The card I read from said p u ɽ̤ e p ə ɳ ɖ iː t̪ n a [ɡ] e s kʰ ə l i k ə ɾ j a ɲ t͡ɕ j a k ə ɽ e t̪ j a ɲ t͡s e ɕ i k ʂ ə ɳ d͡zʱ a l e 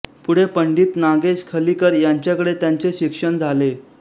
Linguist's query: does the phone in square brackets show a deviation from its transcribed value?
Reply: no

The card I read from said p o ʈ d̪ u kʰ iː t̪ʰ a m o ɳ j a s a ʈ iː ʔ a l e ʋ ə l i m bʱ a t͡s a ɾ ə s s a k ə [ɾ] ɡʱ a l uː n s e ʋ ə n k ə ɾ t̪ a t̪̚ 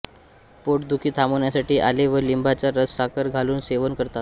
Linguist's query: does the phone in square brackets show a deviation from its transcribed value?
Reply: no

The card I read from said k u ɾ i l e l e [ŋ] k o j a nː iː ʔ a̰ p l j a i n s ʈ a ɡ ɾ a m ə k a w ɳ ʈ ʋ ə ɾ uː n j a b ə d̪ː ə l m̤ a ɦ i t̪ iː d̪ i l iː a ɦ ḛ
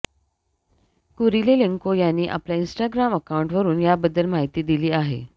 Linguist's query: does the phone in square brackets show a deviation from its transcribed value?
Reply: no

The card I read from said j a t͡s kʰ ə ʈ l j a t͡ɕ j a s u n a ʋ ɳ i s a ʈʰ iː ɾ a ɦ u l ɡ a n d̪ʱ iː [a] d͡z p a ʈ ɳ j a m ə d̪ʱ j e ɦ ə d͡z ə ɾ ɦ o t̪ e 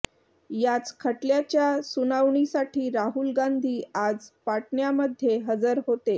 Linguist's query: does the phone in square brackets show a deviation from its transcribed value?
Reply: no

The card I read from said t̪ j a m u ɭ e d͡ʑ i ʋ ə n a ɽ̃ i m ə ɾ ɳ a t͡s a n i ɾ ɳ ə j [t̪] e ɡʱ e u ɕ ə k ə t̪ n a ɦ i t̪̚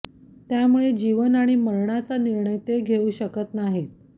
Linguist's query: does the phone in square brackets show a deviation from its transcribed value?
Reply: no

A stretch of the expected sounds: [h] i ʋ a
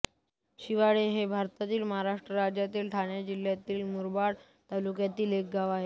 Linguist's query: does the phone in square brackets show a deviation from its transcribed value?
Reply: yes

